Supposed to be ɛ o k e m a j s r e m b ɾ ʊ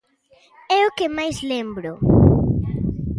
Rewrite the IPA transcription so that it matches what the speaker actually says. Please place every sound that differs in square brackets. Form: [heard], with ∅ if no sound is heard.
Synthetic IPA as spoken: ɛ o k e m a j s [l] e m b ɾ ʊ